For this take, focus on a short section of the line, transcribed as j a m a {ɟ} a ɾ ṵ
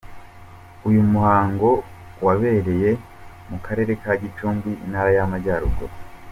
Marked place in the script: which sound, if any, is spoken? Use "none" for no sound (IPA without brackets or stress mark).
ɟ